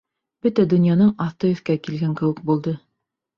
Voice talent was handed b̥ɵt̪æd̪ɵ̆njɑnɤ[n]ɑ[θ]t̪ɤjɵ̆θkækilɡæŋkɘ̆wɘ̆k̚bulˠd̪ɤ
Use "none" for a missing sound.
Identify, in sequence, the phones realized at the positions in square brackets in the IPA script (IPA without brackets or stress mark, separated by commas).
ɴ, θ